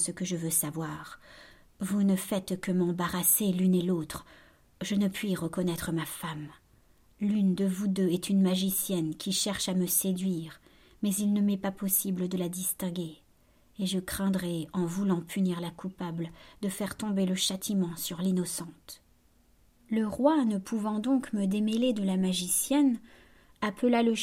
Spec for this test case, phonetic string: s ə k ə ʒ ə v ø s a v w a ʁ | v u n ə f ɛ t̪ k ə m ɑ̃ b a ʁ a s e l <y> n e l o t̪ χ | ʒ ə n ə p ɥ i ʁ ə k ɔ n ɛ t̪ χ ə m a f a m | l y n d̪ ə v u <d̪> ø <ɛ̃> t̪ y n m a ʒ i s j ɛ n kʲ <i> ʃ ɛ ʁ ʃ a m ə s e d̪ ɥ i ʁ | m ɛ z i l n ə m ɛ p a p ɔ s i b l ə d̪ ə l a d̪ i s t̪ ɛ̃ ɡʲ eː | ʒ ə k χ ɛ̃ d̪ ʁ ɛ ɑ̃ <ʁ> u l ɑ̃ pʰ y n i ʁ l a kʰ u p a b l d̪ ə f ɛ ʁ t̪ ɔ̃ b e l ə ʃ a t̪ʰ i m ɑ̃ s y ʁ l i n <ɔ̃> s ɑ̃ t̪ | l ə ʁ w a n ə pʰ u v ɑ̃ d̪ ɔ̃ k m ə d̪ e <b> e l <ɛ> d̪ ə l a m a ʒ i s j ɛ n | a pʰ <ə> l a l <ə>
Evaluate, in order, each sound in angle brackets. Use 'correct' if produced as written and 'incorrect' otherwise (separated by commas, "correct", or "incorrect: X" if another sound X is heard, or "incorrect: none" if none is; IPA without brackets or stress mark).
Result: correct, correct, incorrect: ɛ, correct, incorrect: v, incorrect: ɔ, incorrect: m, incorrect: e, correct, correct